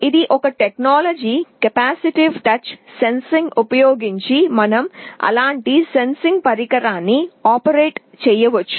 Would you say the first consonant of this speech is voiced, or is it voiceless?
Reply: voiced